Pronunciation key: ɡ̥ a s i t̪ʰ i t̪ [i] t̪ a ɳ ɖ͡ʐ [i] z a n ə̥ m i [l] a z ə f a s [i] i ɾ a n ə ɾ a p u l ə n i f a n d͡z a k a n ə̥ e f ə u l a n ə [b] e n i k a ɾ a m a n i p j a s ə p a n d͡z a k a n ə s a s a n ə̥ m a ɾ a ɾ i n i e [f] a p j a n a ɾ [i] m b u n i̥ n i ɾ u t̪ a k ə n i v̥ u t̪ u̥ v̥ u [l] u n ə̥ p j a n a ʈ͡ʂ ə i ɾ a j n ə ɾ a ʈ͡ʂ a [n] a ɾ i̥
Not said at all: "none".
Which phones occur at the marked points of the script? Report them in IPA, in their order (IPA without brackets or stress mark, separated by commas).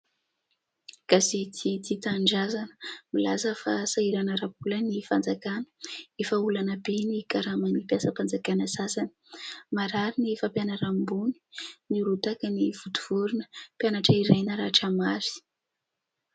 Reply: i, a, l, a, b, f, a, ɾ, m